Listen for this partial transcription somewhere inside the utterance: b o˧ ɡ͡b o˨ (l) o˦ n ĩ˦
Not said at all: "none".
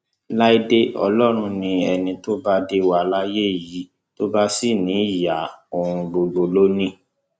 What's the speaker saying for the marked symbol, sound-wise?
l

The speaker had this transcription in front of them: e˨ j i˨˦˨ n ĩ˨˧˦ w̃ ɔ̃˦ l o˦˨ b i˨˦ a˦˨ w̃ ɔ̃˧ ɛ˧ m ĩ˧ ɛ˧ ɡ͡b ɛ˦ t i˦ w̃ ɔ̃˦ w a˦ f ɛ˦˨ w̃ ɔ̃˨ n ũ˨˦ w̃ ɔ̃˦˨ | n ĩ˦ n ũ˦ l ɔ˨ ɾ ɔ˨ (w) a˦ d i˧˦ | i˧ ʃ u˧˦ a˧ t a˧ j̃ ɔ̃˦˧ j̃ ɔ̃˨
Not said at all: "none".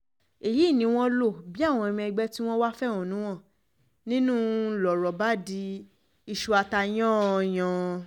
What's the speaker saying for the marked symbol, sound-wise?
b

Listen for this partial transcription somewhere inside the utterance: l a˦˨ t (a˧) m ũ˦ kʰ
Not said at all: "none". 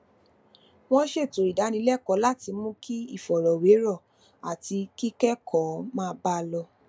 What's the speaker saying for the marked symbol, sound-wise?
i˧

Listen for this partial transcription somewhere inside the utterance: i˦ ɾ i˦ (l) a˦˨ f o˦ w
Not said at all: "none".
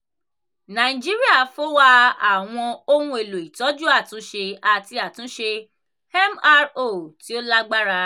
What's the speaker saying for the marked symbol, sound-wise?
none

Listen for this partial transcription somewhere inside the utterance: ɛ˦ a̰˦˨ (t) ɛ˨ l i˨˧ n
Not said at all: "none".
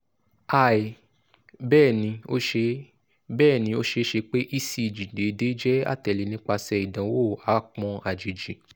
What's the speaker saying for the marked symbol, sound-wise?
t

